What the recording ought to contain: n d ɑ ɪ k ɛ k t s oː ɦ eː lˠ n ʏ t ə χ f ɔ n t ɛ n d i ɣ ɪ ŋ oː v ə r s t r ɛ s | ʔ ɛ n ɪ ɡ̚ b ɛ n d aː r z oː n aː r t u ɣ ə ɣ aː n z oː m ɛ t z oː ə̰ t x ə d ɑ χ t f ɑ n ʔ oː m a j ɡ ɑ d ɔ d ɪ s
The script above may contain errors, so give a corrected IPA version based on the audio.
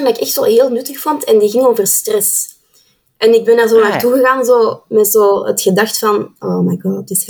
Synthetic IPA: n d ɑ ɪ k ɛ x t s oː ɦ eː lˠ n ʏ t ə x f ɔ n t ɛ n d i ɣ ɪ ŋ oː v ə r s t r ɛ s | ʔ ɛ n ɪ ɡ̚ b ɛ n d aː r z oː n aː r t u ɣ ə ɣ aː n z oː m ɛ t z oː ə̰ t x ə d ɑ x t f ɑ n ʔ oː m a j ɡ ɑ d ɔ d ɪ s